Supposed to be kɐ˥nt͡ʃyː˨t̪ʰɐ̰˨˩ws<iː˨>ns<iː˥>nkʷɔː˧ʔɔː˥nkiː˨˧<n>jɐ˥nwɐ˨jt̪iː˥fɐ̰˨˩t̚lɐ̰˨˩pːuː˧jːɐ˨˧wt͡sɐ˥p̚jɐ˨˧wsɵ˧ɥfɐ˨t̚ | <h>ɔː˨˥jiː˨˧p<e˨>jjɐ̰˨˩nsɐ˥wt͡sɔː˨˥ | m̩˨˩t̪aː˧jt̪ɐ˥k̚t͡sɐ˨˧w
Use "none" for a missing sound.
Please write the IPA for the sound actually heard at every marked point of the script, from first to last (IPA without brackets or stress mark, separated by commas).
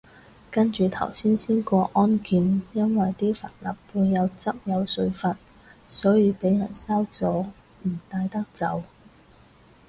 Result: iː˥, iː˥, n, s, e˨˥